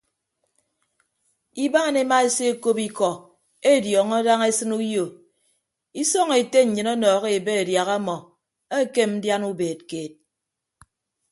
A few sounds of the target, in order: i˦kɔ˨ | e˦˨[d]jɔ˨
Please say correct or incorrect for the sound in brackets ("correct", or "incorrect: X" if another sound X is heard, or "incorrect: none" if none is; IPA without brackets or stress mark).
correct